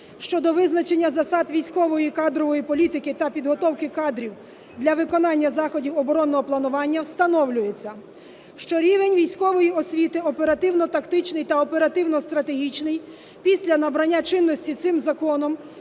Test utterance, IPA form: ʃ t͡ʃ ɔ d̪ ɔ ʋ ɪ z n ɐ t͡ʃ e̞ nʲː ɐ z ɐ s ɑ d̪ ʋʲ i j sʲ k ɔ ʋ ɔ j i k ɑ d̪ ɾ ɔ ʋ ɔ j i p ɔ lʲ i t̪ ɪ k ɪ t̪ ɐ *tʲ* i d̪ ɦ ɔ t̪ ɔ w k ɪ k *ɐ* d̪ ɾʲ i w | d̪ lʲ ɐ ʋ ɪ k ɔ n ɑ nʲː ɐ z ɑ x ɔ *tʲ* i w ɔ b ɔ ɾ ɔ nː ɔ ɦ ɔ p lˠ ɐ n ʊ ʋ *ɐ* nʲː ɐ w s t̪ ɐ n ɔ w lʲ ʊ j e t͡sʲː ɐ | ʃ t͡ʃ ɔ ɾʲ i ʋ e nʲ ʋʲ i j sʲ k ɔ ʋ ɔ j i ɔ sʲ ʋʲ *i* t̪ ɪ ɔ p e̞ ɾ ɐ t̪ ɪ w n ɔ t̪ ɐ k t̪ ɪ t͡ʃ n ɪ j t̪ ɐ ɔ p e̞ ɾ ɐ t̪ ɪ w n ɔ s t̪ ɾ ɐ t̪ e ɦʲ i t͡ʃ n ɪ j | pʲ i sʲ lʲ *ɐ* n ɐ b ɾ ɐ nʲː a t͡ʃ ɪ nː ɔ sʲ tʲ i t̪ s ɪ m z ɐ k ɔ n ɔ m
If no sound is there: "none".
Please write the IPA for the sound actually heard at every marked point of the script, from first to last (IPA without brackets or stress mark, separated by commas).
pʲ, ɑ, dʲ, ɑ, i, ɐ